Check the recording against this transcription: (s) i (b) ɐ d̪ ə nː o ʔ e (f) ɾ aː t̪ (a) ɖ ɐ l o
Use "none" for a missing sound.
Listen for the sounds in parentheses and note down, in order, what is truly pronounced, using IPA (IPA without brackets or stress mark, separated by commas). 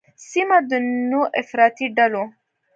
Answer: s, m, f, i